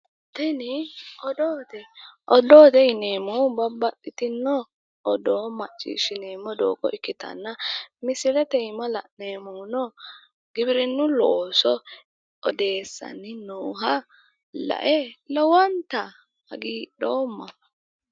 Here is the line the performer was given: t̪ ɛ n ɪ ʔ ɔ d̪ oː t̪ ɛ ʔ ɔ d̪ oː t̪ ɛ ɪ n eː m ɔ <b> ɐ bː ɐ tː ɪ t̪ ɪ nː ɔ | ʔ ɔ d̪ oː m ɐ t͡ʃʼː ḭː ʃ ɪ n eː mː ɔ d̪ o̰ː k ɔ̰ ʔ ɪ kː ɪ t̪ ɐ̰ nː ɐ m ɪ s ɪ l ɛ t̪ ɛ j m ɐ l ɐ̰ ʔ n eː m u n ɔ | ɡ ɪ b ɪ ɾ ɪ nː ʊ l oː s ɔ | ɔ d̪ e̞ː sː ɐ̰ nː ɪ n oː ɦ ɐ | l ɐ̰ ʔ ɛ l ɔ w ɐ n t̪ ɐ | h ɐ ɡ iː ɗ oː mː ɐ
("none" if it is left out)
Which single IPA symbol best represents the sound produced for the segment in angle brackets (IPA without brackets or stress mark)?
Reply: b